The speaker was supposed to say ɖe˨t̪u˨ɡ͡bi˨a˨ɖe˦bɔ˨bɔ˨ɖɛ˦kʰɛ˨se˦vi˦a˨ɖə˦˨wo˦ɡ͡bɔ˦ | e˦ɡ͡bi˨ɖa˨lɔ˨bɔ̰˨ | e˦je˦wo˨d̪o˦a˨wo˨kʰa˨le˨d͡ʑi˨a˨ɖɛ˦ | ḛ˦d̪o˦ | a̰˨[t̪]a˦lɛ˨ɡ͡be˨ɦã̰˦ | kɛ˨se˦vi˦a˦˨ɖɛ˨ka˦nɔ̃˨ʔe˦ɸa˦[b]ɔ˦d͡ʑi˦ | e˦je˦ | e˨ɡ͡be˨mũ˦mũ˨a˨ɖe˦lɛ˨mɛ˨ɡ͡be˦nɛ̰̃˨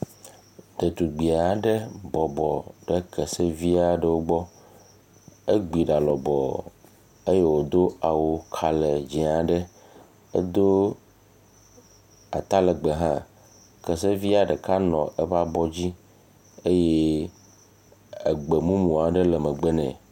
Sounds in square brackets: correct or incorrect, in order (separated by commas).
correct, correct